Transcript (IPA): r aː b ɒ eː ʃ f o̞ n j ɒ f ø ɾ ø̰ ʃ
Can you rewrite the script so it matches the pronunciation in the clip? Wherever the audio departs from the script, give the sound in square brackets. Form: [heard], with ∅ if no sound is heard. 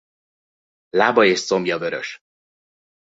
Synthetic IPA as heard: [l] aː b ɒ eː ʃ [s] o̞ [m] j ɒ [v] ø ɾ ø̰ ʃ